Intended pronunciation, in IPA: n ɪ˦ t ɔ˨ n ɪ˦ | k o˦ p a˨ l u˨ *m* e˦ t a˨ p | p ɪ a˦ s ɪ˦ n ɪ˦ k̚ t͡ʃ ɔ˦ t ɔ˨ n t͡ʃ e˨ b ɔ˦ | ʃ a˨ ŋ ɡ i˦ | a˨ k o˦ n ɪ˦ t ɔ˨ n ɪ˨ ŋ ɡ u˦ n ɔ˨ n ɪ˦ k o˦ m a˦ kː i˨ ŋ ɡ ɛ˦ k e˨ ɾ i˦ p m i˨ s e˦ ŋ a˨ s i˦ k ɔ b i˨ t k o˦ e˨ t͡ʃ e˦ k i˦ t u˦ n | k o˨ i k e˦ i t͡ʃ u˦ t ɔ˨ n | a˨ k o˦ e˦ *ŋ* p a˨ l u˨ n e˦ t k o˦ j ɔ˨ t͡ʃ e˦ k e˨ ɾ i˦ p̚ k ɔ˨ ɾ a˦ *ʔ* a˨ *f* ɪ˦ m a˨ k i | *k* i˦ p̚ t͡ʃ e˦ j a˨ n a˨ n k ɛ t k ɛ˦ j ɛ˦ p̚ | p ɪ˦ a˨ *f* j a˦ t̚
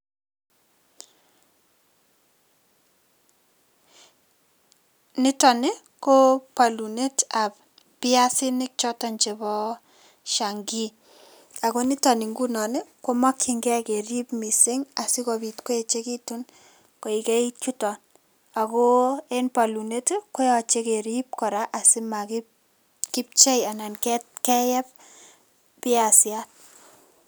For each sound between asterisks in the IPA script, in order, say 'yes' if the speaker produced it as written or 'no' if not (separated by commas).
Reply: no, no, yes, no, yes, no